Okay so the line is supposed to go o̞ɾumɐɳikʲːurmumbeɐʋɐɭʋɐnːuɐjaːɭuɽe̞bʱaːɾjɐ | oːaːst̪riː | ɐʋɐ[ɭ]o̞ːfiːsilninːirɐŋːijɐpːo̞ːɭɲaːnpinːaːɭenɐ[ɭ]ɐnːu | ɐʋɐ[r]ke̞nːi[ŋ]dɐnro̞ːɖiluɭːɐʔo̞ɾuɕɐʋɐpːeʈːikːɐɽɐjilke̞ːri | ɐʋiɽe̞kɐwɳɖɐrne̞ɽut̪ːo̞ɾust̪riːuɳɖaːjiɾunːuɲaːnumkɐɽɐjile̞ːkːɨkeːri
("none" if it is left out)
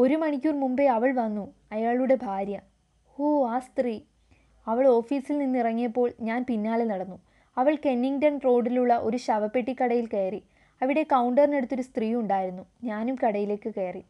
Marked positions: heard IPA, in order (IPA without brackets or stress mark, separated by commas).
ɭ, ɽ, ɭ, ŋ